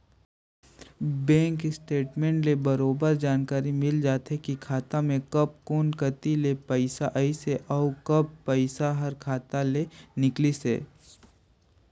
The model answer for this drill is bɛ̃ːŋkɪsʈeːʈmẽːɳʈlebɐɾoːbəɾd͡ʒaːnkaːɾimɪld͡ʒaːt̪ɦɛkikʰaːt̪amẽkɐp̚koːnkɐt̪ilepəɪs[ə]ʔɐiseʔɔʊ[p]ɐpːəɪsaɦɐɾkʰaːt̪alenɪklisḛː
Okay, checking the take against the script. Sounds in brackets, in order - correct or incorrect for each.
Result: incorrect: a, incorrect: k

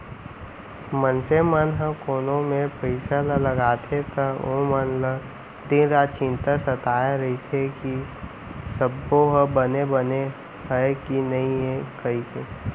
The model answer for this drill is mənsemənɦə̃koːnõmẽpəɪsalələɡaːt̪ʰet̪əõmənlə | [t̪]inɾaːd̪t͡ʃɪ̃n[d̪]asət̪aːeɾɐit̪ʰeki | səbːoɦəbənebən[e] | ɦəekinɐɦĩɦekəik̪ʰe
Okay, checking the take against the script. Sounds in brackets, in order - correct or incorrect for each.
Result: incorrect: d̪, incorrect: t̪, correct

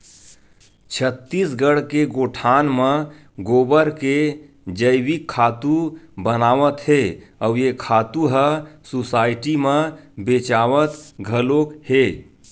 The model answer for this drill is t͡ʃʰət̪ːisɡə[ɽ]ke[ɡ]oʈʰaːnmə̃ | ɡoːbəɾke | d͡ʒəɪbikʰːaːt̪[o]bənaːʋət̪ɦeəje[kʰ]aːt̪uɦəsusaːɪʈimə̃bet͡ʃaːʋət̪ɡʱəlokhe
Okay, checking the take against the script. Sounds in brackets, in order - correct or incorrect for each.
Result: correct, correct, incorrect: u, correct

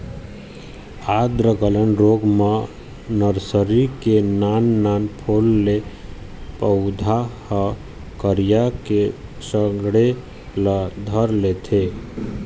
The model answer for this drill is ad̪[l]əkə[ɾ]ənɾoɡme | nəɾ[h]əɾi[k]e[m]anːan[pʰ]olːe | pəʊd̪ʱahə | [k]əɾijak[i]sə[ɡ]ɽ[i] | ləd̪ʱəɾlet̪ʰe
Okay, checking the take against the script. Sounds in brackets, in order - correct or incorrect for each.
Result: incorrect: ɾ, incorrect: l, incorrect: s, correct, incorrect: n, correct, correct, incorrect: e, correct, incorrect: e

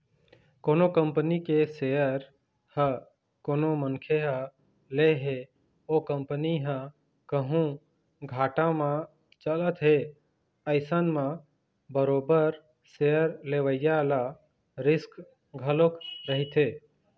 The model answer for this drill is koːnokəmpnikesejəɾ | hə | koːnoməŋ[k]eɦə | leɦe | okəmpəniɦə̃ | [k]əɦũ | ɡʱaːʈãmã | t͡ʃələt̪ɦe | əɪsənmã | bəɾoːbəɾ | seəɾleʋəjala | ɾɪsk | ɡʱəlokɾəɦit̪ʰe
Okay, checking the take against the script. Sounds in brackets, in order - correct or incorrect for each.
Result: incorrect: kʰ, correct

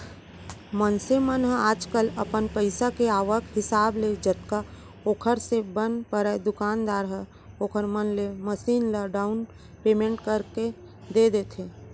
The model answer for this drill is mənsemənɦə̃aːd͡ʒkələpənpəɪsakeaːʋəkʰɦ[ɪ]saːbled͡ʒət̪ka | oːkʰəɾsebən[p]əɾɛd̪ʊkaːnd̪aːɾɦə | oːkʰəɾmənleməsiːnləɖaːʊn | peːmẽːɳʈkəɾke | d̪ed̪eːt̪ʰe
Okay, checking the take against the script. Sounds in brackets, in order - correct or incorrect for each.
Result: correct, correct

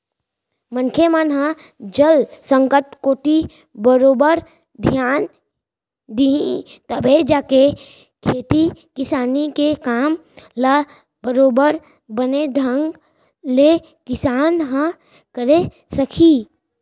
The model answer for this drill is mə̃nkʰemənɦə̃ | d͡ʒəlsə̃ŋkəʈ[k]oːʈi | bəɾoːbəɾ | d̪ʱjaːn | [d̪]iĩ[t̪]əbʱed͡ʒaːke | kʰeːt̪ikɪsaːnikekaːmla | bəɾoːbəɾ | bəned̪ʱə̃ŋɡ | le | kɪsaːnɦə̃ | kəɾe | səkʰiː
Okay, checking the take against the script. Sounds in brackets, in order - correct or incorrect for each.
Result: correct, correct, correct

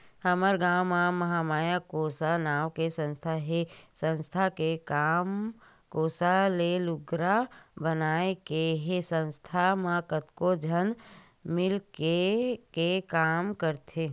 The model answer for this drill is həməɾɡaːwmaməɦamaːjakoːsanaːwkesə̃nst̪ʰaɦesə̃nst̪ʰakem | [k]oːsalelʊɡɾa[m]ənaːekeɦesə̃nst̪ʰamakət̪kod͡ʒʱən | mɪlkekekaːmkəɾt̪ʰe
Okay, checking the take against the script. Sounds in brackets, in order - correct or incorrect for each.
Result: correct, incorrect: b

